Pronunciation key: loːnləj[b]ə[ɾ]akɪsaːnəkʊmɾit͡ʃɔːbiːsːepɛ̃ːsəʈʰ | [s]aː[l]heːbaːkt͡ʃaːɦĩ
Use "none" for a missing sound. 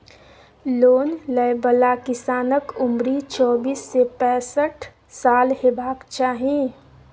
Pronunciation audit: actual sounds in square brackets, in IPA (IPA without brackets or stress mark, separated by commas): b, l, s, l